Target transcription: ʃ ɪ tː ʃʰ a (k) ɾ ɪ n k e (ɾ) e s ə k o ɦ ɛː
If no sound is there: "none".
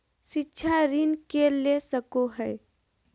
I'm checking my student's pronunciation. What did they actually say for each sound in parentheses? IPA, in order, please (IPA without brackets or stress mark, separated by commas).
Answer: none, l